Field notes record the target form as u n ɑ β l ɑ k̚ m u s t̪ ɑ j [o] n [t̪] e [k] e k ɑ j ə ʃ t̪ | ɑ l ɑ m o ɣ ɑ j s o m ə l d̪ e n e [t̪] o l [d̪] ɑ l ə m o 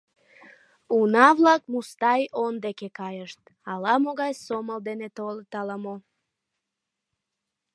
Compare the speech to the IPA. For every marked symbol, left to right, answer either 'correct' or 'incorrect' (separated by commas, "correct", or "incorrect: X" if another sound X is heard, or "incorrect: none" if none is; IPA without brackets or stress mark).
correct, incorrect: d̪, correct, correct, incorrect: t̪